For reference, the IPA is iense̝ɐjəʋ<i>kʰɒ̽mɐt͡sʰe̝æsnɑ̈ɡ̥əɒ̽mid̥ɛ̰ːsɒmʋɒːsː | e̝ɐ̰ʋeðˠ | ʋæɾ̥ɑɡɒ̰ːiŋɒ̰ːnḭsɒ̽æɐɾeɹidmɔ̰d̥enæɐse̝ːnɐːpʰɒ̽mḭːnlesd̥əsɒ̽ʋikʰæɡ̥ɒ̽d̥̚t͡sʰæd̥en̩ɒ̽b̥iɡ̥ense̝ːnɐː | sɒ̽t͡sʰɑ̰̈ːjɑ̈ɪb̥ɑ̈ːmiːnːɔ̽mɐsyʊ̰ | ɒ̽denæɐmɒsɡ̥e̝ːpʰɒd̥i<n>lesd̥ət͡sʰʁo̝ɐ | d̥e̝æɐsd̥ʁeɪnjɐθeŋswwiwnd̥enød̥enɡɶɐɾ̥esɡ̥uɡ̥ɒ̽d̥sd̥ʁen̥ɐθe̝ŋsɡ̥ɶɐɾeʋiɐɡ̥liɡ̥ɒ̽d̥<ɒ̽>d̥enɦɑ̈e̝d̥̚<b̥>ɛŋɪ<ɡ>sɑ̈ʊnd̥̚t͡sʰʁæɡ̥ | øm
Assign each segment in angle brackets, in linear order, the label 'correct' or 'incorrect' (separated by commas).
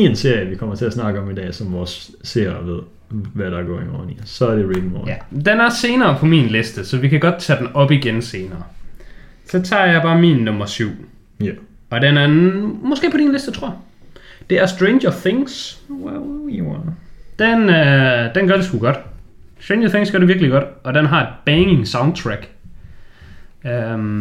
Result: correct, correct, correct, correct, incorrect